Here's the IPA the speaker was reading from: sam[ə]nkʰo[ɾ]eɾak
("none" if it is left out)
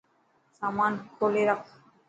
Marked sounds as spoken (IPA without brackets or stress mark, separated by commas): a, l